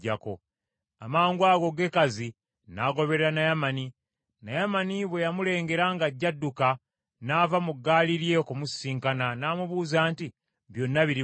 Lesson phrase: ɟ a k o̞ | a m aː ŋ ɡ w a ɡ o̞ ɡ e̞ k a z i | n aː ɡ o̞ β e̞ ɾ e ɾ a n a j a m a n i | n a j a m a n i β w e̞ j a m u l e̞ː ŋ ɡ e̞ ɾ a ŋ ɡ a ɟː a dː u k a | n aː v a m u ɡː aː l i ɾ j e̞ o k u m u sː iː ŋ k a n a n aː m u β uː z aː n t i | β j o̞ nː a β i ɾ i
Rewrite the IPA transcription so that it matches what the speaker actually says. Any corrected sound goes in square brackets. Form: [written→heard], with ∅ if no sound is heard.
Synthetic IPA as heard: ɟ a k o̞ | a m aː ŋ ɡ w a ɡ o̞ ɡ e̞ k a z i | n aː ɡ o̞ β e̞ ɾ e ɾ a n a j a m a n i | n a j a m a n i β w e̞ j a m u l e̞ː ŋ ɡ e̞ ɾ a ŋ ɡ a ɟː a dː u k a | n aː v a m u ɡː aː l i ɾ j e̞ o k u m u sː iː ŋ k a n a n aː m u β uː z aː n t i | β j o̞ nː a β i ɾ i